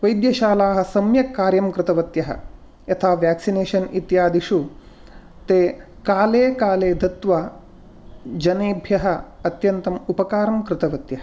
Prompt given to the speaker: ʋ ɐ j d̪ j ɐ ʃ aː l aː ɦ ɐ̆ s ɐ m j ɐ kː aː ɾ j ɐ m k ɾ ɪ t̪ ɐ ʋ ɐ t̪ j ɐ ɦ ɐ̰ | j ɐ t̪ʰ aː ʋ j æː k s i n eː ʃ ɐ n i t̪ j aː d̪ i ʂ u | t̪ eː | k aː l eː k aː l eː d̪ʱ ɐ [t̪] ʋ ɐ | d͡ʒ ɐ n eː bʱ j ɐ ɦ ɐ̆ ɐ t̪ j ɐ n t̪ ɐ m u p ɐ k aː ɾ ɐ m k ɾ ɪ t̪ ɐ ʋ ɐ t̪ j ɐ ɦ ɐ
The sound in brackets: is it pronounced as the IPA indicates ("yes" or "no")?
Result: yes